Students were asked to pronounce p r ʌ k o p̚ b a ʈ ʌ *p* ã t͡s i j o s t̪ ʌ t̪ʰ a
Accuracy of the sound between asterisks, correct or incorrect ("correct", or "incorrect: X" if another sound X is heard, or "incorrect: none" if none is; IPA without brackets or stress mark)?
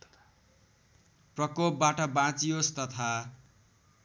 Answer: incorrect: b